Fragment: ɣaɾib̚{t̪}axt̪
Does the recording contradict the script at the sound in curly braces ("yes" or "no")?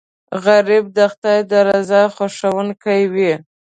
yes